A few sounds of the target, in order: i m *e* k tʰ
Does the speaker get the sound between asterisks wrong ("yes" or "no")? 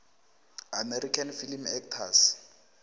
yes